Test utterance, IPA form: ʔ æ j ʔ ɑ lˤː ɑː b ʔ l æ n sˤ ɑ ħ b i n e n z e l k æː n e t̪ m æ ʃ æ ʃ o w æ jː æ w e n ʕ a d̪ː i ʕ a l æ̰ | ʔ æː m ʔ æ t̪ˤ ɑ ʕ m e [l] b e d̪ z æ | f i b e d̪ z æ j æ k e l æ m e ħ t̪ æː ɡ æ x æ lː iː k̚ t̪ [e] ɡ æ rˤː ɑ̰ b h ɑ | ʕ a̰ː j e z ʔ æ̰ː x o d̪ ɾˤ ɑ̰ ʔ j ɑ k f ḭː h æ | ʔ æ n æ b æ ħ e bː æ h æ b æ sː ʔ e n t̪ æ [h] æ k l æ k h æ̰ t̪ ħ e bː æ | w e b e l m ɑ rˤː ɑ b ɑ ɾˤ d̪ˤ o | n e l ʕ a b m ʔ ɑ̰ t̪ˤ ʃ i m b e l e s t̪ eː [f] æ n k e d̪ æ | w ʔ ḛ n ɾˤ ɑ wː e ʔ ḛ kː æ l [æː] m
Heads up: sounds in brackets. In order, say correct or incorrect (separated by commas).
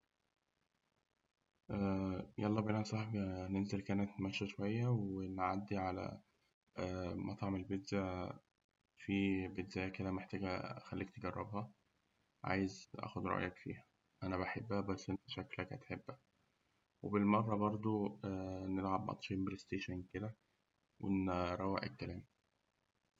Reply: correct, correct, incorrect, incorrect, correct